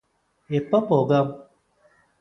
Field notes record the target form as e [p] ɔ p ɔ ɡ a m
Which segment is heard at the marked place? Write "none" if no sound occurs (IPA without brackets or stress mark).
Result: p